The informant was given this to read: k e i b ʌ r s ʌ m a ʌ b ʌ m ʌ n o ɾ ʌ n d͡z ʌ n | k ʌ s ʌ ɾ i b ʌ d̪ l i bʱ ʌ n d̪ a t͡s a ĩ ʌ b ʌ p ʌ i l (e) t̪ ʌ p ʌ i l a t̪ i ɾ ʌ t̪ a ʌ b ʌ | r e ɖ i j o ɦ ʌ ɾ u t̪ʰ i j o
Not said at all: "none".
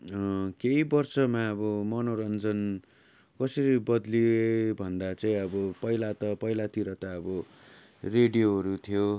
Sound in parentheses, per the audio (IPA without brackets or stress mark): a